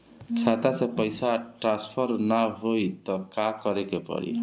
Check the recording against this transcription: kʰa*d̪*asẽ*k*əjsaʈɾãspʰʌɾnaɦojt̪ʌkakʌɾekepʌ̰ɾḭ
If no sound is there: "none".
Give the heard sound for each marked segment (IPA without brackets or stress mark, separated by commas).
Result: t̪, p